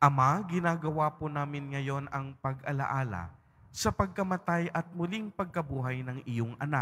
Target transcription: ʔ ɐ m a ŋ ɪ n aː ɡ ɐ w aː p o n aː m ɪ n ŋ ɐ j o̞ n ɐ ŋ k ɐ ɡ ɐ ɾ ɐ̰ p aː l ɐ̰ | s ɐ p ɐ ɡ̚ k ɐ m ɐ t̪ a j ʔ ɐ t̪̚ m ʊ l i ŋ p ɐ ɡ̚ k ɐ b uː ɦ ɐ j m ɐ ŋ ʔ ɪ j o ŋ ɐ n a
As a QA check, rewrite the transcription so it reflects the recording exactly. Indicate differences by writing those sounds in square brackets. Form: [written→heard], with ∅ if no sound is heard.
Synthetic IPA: ʔ ɐ m a [ŋ→ɡ] ɪ n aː ɡ ɐ w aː p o n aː m ɪ n ŋ ɐ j o̞ n ɐ ŋ [k→p] ɐ ɡ ɐ [ɾ→l] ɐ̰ [p→ʔ] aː l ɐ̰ | s ɐ p ɐ ɡ̚ k ɐ m ɐ t̪ a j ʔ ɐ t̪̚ m ʊ l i ŋ p ɐ ɡ̚ k ɐ b uː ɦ ɐ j [m→n] ɐ ŋ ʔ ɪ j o ŋ ɐ n a